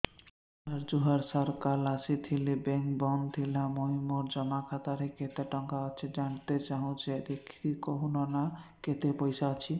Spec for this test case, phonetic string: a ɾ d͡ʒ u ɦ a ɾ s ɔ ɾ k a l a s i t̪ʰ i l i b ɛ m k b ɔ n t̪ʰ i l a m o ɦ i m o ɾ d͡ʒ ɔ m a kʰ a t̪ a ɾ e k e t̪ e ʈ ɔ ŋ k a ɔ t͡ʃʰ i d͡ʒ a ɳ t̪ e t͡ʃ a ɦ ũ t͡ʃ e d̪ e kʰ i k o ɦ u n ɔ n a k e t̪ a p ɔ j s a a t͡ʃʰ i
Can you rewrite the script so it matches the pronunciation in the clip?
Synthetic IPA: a ɾ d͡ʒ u ɦ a ɾ s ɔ ɾ k a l a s i t̪ʰ i l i b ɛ ŋ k b ɔ n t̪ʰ i l a m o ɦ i m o ɾ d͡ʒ ɔ m a kʰ a t̪ a ɾ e k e t̪ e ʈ ɔ ŋ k a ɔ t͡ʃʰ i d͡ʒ a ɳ t̪ e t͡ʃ a ɦ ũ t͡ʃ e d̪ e kʰ i k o ɦ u n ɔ n a k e t̪ e p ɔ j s a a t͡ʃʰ i

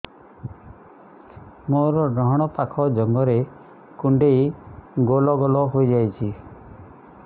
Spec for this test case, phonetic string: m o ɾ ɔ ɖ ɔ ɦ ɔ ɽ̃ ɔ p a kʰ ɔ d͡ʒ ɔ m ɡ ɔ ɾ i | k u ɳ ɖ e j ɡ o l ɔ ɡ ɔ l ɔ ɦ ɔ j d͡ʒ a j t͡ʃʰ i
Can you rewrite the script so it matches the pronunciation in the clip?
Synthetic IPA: m o ɾ ɔ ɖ ɔ ɦ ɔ ɽ̃ ɔ p a kʰ ɔ d͡ʒ ɔ ŋ ɡ ɔ ɾ e | k u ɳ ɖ e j ɡ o l ɔ ɡ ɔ l ɔ ɦ o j d͡ʒ a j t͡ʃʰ i

